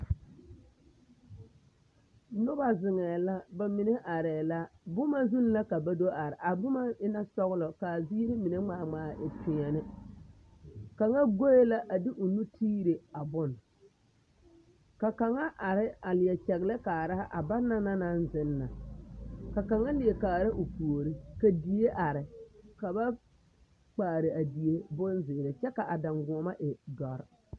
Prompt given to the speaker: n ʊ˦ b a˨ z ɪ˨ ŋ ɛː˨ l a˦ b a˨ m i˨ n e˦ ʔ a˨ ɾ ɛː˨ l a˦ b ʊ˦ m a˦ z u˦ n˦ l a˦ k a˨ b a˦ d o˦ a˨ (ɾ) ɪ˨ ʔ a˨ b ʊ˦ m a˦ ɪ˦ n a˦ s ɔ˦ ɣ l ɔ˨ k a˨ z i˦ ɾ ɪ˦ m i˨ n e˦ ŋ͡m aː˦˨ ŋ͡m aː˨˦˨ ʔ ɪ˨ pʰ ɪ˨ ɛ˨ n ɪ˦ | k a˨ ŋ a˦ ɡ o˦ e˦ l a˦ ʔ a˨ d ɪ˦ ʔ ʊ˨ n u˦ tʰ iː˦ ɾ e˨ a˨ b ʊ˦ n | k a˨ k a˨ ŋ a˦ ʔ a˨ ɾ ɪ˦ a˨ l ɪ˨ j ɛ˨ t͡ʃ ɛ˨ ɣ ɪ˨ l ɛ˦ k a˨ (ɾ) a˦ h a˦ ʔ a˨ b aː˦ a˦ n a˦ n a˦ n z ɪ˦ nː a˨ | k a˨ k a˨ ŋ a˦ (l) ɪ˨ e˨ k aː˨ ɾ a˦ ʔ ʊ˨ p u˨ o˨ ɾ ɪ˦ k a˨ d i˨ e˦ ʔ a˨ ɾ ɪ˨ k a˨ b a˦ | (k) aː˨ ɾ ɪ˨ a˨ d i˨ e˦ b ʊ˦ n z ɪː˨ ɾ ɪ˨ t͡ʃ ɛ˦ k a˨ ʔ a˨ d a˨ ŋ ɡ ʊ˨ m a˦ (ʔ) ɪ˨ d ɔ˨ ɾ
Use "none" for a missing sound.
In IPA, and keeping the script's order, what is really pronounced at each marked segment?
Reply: ɾ, ɾ, l, k͡p, ʔ

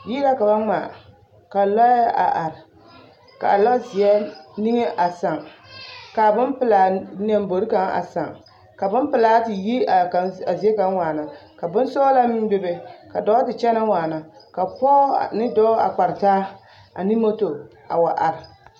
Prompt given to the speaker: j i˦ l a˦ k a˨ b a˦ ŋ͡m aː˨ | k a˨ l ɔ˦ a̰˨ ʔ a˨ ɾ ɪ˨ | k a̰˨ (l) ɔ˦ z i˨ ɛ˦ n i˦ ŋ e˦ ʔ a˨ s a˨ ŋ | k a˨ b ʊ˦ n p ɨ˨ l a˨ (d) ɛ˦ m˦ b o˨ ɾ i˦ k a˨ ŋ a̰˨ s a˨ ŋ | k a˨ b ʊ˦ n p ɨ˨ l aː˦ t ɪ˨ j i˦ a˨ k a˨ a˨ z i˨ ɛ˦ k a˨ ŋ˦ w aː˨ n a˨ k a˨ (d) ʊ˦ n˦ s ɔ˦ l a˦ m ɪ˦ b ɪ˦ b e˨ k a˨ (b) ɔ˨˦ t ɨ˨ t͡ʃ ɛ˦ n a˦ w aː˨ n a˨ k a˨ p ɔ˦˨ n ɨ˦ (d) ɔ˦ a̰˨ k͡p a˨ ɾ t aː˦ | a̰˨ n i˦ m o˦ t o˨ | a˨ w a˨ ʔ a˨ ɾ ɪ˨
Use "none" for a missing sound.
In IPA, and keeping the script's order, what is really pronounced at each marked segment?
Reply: l, n, b, d, d

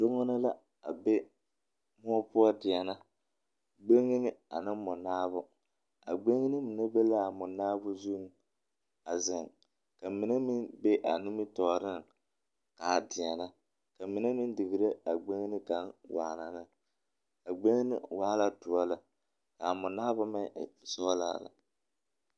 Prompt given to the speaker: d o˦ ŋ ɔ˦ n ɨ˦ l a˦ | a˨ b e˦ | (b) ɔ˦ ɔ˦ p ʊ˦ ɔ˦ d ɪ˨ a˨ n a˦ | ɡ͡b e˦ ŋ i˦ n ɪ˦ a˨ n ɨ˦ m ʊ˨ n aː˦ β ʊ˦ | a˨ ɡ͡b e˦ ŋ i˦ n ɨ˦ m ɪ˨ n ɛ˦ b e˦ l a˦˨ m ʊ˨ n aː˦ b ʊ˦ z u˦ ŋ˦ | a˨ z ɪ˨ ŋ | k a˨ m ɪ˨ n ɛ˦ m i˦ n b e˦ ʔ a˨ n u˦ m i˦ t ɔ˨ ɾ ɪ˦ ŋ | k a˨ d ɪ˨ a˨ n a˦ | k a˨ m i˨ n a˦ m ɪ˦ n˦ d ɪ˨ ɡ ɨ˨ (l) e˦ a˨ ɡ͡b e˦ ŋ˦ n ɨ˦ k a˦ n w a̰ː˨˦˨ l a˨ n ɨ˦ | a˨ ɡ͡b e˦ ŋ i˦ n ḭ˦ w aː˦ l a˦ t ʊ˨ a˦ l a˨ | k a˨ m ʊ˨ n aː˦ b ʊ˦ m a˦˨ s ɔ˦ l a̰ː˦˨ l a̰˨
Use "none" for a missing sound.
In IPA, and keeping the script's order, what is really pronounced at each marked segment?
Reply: m, ɾ

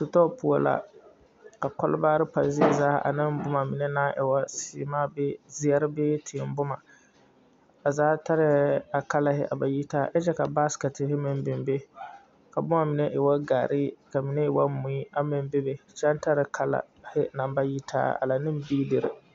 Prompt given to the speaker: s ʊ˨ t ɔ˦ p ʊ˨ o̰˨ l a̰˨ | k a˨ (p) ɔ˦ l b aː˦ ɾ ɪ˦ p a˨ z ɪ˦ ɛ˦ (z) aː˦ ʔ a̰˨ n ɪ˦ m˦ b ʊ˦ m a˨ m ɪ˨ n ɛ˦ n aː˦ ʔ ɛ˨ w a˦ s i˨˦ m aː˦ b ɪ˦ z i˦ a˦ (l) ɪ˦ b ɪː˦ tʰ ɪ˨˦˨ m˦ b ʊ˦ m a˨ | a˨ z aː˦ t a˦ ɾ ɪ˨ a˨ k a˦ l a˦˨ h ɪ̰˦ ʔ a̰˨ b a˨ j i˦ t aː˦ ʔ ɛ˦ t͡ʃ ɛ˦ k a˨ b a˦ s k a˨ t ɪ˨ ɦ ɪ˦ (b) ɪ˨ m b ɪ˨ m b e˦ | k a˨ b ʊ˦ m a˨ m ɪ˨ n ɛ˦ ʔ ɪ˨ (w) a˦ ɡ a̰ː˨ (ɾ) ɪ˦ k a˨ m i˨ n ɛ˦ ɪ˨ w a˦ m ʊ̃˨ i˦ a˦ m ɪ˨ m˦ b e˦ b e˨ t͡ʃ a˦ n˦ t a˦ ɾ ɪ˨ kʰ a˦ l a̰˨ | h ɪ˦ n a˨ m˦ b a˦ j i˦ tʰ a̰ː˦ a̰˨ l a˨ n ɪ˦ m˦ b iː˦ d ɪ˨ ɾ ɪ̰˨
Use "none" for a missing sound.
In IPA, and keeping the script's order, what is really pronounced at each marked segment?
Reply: k, z, ɾ, m, w, ɾ

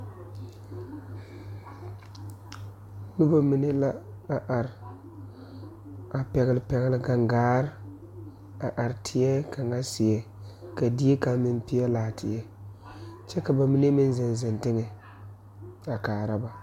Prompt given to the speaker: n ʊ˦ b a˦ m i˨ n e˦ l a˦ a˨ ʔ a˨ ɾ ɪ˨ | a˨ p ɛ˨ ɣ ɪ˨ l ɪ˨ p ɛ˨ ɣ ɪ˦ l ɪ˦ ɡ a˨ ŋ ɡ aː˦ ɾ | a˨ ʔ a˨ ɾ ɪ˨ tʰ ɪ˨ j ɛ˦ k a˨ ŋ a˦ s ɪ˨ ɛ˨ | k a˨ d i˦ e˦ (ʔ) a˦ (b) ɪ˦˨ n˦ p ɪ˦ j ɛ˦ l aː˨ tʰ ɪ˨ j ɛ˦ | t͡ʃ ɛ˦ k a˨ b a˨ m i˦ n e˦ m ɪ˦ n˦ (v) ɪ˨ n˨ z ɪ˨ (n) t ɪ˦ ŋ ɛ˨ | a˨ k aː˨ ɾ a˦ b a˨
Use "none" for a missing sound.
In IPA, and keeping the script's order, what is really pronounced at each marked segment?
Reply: k, m, z, n

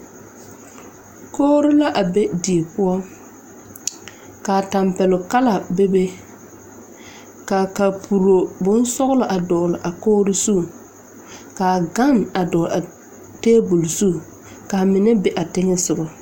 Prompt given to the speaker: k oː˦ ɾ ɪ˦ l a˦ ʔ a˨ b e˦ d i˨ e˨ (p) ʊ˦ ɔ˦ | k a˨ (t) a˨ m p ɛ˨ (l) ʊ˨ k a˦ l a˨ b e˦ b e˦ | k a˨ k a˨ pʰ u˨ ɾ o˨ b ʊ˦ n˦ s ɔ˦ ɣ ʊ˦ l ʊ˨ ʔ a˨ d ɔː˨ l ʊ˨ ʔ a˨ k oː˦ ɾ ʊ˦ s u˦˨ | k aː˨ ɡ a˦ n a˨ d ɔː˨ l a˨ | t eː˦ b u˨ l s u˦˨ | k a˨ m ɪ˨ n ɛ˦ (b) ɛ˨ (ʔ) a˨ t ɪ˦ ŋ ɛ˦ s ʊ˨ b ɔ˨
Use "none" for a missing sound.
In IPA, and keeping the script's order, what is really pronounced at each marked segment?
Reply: p, t, l, b, ʔ

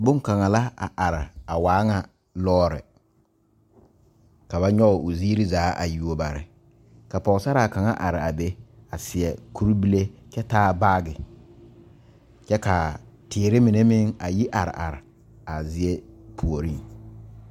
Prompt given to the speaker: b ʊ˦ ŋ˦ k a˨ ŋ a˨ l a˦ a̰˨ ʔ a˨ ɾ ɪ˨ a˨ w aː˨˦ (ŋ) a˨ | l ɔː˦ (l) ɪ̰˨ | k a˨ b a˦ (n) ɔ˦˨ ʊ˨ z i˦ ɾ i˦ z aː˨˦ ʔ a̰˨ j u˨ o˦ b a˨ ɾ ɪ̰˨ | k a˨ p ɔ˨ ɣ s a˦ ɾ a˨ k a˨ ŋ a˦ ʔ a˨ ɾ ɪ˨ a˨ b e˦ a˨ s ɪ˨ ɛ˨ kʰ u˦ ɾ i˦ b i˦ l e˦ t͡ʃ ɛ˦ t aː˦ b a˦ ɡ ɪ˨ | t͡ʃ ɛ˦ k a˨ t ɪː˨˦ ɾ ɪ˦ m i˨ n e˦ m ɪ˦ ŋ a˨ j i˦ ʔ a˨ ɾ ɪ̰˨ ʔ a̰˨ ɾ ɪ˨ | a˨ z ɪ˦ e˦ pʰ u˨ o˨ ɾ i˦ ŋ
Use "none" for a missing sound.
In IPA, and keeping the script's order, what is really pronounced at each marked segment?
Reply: ŋ, ɾ, ɲ

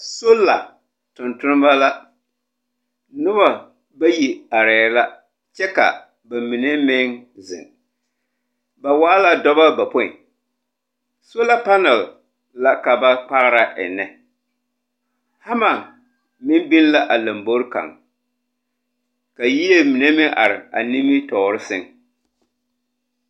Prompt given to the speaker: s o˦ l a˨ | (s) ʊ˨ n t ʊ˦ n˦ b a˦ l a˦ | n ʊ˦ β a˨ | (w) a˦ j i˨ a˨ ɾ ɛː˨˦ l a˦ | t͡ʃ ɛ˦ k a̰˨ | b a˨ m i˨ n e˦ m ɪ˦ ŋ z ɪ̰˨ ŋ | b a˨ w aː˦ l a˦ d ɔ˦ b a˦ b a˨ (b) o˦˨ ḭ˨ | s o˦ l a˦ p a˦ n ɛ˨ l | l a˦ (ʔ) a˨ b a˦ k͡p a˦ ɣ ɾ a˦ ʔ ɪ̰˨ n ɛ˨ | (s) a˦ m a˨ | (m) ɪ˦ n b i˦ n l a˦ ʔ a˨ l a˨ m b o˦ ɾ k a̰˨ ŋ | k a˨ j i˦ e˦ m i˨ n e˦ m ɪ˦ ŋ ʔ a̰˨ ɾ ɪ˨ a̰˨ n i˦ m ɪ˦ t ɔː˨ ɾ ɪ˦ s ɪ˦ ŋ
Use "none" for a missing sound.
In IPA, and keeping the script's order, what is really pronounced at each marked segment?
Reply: t, b, p, k, h, m

